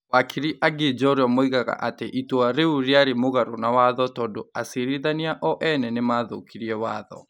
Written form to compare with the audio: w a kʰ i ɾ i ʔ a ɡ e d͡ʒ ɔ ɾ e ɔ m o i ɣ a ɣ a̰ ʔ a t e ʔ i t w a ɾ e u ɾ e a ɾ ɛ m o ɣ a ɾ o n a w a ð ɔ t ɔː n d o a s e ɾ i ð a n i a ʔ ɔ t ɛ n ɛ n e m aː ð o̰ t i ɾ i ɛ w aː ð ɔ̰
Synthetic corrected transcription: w a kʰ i ɾ i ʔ a ɡ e d͡ʒ ɔ ɾ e ɔ m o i ɣ a ɣ a̰ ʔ a t e ʔ i t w a ɾ e u ɾ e a ɾ e m o ɣ a ɾ o n a w a ð ɔ t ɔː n d o a s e ɾ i ð a n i a ʔ ɔ ʔ ɛ n ɛ n e m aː ð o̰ k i ɾ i ɛ w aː ð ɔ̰